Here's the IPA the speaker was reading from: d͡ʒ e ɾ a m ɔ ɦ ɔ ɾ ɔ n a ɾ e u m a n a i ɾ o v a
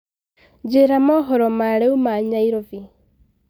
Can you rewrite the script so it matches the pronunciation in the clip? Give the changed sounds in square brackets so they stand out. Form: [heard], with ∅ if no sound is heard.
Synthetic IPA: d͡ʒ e ɾ a m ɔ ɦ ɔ ɾ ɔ [m] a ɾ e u m a [ɲ] a i ɾ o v [i]